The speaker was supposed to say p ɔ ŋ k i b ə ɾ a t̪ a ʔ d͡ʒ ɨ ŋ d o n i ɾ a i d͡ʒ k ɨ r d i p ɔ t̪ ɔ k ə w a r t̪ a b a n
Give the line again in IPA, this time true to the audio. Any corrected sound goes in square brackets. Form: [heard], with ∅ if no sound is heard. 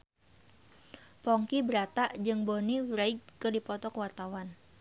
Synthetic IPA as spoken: p ɔ ŋ k i b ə ɾ a t̪ a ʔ d͡ʒ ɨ ŋ [b] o n i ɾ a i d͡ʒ k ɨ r d i p ɔ t̪ ɔ k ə w a r t̪ a [w] a n

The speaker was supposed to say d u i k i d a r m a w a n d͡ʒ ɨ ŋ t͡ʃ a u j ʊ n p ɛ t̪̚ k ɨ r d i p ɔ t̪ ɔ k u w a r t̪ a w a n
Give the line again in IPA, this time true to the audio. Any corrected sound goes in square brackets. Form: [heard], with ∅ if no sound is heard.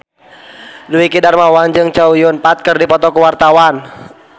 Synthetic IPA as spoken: d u i k i d a r m a w a n d͡ʒ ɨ ŋ t͡ʃ a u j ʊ n p [a] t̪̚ k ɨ r d i p ɔ t̪ ɔ k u w a r t̪ a w a n

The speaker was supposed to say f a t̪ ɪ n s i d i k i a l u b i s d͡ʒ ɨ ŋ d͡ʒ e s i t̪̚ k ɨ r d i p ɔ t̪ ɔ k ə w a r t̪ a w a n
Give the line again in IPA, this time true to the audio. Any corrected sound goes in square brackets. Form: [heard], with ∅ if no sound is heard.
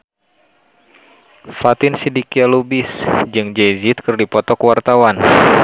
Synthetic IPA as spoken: f a t̪ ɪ n s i d i k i a l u b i s d͡ʒ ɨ ŋ d͡ʒ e [z] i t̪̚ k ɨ r d i p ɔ t̪ ɔ k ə w a r t̪ a w a n

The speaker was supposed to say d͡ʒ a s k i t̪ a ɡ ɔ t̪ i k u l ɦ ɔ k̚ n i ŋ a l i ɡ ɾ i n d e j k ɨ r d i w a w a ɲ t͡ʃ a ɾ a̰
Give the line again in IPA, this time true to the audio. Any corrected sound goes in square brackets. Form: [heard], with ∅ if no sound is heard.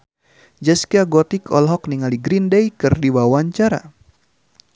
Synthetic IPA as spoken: d͡ʒ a s k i [∅] a ɡ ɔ t̪ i k [ɔ] l ɦ ɔ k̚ n i ŋ a l i ɡ ɾ i n d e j k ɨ r d i w a w a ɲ t͡ʃ a ɾ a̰

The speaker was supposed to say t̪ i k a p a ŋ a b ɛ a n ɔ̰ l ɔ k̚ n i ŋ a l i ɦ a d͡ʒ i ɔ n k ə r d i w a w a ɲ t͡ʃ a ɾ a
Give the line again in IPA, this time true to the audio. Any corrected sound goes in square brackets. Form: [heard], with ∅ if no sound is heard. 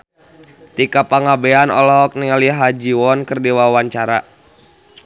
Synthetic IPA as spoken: t̪ i k a p a ŋ a b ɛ a n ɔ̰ l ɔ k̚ n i ŋ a l i ɦ a d͡ʒ i ɔ n k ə r d i w a w a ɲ t͡ʃ a ɾ a

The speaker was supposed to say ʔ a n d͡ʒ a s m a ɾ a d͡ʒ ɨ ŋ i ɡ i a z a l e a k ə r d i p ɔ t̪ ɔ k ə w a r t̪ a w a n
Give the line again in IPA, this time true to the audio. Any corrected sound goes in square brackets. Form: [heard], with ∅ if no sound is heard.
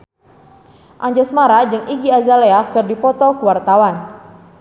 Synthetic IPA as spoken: ʔ a [ɲ] d͡ʒ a s m a ɾ a d͡ʒ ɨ ŋ i ɡ i a z a l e a k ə r d i p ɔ t̪ ɔ k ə w a r t̪ a w a n

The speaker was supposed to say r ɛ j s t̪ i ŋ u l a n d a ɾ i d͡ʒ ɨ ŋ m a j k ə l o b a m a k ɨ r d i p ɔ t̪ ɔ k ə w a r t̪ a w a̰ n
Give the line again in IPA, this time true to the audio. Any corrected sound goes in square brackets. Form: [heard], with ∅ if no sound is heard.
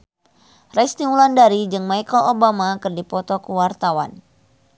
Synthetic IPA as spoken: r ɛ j s t̪ i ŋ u l a n d a ɾ i d͡ʒ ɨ ŋ m a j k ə l o b a m a k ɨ r d i p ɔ t̪ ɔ k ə w a r t̪ a w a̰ n

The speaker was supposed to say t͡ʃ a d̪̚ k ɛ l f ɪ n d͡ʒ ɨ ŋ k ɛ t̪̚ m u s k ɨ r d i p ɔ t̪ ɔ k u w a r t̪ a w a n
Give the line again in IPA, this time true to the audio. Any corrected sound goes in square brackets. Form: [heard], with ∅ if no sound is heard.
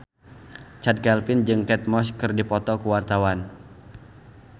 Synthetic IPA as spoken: t͡ʃ a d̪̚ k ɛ l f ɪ n d͡ʒ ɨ ŋ k ɛ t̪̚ m [ɔ] s k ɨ r d i p ɔ t̪ ɔ k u w a r t̪ a w a n

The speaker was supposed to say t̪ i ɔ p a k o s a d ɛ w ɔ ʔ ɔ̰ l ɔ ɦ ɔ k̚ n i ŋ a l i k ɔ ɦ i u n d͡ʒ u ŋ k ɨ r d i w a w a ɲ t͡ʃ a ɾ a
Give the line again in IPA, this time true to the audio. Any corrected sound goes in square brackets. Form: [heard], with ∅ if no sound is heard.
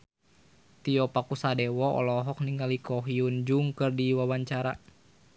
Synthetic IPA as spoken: t̪ i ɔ p a k [u] s a d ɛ w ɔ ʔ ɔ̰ l ɔ ɦ ɔ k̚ n i ŋ a l i k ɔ ɦ i u n d͡ʒ u ŋ k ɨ r d i w a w a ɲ t͡ʃ a ɾ a

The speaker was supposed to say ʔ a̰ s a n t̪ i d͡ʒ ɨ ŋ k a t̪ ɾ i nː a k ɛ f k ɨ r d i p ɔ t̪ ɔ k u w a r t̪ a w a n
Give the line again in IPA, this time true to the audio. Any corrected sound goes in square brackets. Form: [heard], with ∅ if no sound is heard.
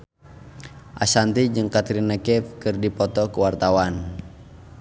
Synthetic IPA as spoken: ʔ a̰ s a n t̪ i d͡ʒ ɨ ŋ k a t̪ ɾ i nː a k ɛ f k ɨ r d i p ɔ t̪ ɔ k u w a r t̪ a w a n

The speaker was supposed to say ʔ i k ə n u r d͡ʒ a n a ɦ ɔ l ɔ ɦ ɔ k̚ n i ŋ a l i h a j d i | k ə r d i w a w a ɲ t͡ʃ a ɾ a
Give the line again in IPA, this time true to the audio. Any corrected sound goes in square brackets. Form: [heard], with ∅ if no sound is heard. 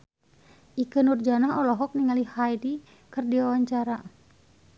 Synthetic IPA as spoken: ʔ i k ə n u r d͡ʒ a n a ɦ ɔ l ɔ ɦ ɔ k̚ n i ŋ a l i h a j d i | k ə r d i w a w a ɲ t͡ʃ a ɾ a

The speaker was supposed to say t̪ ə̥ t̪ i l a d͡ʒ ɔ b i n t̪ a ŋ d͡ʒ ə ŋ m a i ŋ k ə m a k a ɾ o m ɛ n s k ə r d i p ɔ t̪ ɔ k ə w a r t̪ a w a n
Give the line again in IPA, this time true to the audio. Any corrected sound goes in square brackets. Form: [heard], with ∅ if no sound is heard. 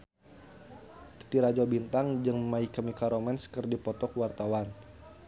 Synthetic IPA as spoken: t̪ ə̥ t̪ i [ɾ] a d͡ʒ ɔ b i n t̪ a ŋ d͡ʒ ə ŋ m a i [∅] k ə m [i] k a ɾ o m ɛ n s k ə r d i p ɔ t̪ ɔ k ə w a r t̪ a w a n

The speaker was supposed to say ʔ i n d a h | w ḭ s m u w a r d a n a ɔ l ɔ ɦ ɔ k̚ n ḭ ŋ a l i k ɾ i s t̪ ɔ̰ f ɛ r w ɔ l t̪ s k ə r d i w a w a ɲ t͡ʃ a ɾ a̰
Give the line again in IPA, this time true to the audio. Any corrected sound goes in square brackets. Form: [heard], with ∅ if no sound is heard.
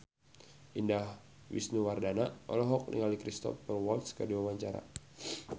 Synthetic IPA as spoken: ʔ i n d a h | w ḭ s [n] u w a r d a n a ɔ l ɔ ɦ ɔ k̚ n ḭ ŋ a l i k ɾ i s t̪ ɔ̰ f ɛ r w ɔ l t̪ s k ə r d i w a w a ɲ t͡ʃ a ɾ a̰

